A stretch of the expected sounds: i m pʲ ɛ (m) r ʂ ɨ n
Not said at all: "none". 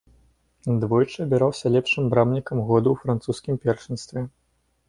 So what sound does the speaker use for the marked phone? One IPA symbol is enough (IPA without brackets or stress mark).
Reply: none